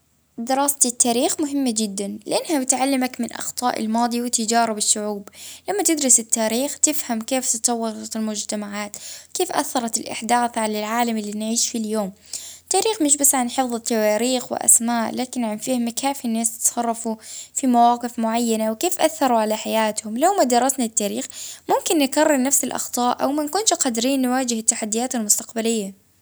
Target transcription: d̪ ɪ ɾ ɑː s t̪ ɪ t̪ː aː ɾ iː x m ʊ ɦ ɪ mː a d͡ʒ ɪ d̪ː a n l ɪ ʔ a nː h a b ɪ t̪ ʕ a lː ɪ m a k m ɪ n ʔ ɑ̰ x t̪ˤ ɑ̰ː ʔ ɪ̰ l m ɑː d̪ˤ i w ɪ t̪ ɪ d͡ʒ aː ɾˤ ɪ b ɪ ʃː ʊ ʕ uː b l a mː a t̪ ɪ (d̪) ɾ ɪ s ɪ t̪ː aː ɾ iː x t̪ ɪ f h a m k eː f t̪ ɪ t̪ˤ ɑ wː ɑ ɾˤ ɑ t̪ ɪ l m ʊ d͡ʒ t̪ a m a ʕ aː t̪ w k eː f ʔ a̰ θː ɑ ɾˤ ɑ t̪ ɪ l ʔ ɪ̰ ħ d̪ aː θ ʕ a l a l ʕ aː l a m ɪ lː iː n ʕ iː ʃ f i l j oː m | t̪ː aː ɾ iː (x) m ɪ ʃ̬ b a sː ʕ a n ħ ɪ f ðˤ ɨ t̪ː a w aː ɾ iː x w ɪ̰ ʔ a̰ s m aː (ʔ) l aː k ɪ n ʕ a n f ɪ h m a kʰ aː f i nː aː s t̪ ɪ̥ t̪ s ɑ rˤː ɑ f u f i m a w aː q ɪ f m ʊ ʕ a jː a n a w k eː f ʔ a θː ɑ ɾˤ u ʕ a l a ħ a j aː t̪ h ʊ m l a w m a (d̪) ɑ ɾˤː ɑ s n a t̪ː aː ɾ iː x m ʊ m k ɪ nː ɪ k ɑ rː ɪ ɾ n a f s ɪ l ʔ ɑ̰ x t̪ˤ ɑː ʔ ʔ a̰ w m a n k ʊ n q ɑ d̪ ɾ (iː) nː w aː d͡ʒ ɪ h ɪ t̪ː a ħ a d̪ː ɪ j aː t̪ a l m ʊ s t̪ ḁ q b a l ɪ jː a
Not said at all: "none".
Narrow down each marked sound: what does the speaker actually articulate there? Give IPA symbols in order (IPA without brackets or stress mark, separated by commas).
d̪, x, ʔ, d̪, iː